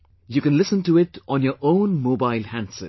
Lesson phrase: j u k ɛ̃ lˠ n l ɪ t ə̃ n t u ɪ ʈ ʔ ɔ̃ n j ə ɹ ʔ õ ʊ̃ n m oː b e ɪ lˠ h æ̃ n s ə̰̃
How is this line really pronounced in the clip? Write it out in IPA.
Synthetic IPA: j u k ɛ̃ n l ɪ s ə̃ n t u ɪ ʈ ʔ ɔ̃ n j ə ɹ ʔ õ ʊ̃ n m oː b a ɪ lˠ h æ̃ n s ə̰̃